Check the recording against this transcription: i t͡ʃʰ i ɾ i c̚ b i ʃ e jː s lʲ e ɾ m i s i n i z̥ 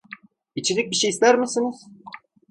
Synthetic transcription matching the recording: i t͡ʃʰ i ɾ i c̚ b i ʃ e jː s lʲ æ ɾ m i s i n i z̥

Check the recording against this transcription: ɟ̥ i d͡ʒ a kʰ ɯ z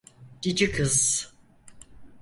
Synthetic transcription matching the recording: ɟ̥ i d͡ʒ i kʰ ɯ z

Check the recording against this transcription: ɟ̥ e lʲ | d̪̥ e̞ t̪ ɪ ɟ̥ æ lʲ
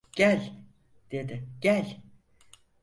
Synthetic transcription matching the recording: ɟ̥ æ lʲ | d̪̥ e̞ d̪ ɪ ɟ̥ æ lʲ

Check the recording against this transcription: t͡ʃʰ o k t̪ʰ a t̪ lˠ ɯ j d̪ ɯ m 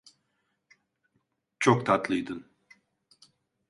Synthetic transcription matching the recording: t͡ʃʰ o k t̪ʰ a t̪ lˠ ɯ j d̪ ɯ n

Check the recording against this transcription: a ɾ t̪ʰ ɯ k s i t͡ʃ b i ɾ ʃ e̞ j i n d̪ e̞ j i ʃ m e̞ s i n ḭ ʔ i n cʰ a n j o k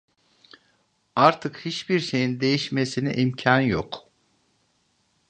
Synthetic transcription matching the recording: a ɾ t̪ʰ ɯ k h i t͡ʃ b i ɾ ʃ e̞ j i n d̪ e̞ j i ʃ m e̞ s i n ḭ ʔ i m cʰ a n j o k

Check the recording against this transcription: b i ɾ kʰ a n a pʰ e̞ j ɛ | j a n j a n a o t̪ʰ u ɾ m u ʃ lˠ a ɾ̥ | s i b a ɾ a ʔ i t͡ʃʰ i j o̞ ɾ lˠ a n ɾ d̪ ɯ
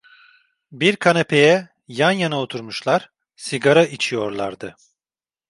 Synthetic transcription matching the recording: b i ɾ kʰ a n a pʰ e̞ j ɛ | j a n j a n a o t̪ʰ u ɾ m u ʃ lˠ a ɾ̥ | s i ɡ a ɾ a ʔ i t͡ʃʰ i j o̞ ɾ lˠ a ɾ d̪ ɯ

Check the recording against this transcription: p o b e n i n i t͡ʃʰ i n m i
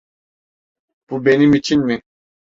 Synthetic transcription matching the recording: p u b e n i m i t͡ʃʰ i n m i

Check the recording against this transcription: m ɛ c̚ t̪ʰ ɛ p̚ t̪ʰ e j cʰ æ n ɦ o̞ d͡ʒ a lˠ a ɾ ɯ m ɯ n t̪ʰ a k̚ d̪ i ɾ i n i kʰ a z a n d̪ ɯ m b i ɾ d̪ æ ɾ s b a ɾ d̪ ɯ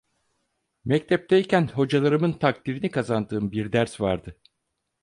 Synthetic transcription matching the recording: m ɛ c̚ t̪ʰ ɛ p̚ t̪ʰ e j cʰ æ n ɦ o̞ d͡ʒ a lˠ a ɾ ɯ m ɯ n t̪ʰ a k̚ t̪ i ɾ i n i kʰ a z a n d̪ ɯː m b i ɾ d̪ æ ɾ s v a ɾ d̪ ɯ

